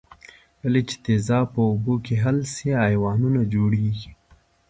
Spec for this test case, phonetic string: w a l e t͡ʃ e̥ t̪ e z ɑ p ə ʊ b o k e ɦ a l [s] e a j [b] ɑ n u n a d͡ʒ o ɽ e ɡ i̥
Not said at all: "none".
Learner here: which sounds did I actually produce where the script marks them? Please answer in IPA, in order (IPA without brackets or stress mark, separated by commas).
s, w